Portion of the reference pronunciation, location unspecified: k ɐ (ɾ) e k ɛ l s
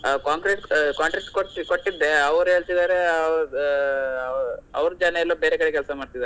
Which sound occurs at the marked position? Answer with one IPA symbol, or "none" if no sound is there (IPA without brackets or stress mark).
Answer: ɽ